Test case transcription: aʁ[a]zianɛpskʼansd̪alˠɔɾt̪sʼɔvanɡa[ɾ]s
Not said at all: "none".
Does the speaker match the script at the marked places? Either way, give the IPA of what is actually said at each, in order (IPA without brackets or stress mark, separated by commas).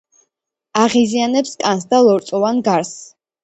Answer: i, ɾ